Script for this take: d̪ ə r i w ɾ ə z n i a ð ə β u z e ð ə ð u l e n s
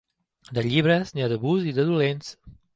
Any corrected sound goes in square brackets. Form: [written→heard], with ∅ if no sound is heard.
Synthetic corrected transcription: d̪ ə [r→ʎ] i [w→β] ɾ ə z n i a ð ə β u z [e→i] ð ə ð u l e n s